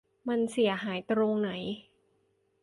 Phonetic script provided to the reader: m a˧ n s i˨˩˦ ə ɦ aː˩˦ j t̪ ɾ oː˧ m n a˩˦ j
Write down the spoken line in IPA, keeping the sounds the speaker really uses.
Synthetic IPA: m a˧ n s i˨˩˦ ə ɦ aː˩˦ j t̪ ɾ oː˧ ŋ n a˩˦ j